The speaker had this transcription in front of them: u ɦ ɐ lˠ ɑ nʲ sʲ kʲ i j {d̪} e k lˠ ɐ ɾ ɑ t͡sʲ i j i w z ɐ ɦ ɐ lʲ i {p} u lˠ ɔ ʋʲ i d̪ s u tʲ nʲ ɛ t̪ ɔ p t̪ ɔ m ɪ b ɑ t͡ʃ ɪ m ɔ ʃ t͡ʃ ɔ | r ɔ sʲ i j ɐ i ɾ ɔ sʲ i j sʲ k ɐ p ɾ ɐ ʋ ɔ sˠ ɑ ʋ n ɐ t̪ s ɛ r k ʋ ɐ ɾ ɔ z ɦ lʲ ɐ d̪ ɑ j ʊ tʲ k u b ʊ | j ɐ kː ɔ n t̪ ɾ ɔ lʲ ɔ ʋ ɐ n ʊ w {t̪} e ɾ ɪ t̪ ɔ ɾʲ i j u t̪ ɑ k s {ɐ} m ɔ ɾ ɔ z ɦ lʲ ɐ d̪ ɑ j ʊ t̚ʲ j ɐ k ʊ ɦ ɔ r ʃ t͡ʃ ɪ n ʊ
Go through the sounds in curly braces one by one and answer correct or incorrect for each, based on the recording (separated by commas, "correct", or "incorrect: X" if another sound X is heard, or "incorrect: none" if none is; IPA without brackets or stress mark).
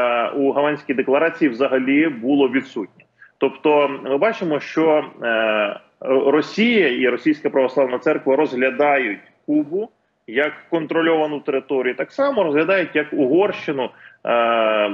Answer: correct, incorrect: b, correct, incorrect: ɑ